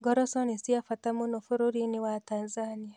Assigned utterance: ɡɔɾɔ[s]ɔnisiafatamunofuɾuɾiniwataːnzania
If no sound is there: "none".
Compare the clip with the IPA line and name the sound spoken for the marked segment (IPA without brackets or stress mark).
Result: s